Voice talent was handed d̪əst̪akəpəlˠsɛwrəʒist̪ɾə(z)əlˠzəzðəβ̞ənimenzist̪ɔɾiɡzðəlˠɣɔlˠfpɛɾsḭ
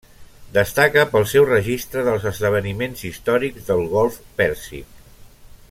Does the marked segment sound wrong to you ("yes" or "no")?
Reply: yes